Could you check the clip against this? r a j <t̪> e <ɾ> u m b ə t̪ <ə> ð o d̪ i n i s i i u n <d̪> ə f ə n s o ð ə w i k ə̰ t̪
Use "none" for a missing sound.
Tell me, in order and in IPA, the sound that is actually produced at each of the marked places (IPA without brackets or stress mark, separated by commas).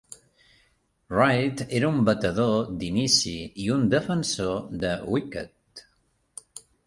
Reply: t̪, ɾ, ə, d̪